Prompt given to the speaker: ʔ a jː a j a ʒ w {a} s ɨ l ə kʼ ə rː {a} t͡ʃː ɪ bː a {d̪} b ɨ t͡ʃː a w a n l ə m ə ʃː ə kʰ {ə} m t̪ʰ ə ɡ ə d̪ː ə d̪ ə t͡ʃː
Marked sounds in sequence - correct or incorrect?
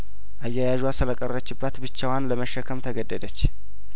correct, incorrect, incorrect, correct

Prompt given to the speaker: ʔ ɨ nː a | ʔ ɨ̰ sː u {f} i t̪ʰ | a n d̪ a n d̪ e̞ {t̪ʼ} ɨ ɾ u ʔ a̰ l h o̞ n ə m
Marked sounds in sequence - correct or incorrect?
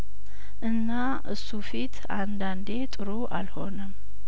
correct, correct

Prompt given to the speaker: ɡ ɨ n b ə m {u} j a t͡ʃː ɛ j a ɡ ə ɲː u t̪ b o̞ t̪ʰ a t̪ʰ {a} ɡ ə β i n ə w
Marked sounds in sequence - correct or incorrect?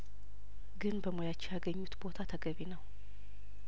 incorrect, incorrect

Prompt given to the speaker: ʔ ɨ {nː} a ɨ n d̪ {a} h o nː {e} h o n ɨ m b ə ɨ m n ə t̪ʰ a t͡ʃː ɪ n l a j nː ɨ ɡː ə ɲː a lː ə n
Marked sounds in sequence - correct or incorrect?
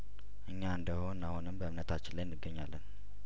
incorrect, incorrect, incorrect

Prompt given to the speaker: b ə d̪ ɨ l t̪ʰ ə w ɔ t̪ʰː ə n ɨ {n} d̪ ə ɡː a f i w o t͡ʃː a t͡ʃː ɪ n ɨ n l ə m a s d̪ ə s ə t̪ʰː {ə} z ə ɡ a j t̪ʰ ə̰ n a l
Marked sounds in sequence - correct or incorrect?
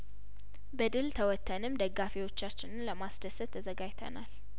incorrect, correct

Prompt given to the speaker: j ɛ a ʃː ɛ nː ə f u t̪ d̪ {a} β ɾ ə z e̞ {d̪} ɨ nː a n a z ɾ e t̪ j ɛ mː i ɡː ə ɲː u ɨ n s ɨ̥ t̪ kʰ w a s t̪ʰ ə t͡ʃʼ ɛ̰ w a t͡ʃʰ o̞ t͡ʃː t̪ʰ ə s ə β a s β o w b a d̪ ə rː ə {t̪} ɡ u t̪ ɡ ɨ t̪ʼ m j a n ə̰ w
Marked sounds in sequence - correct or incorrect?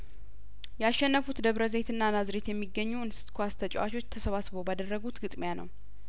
incorrect, incorrect, incorrect

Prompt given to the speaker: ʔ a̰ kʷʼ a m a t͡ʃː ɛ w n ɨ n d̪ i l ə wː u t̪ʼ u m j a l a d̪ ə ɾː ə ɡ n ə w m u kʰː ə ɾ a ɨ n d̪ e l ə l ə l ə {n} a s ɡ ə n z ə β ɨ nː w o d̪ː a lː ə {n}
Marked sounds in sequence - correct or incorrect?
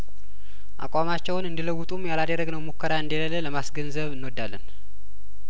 incorrect, correct

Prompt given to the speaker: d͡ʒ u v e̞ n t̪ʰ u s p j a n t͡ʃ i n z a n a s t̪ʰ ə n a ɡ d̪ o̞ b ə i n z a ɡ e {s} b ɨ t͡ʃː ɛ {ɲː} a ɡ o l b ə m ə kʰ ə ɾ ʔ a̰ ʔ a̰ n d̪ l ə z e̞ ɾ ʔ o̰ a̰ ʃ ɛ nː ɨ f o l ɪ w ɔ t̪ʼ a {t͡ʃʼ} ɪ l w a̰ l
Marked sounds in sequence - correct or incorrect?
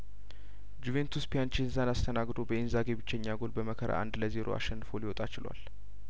incorrect, correct, incorrect

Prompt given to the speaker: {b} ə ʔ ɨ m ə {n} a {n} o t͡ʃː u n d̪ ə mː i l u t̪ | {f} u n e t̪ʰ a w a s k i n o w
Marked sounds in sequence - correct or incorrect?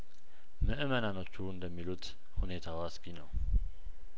incorrect, correct, correct, incorrect

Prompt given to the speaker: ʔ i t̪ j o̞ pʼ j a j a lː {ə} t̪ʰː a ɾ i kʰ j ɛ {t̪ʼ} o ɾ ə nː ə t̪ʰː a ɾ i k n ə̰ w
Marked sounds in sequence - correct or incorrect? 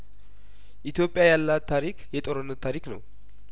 incorrect, correct

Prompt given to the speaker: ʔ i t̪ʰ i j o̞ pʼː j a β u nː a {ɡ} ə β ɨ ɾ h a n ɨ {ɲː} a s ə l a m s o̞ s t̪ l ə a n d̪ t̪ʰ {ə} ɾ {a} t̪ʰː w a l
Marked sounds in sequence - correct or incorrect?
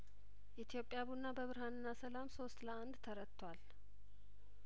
incorrect, incorrect, correct, incorrect

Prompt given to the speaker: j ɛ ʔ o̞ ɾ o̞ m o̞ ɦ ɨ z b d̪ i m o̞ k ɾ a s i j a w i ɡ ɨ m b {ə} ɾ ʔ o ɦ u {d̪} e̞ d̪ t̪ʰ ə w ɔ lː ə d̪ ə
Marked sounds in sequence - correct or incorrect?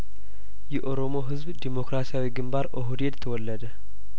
incorrect, correct

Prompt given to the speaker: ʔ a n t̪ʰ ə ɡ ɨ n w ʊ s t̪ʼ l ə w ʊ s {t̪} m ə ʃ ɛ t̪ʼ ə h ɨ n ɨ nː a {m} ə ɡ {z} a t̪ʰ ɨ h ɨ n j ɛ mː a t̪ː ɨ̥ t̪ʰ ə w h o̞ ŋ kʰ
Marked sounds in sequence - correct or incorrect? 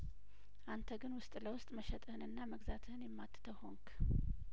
incorrect, correct, correct

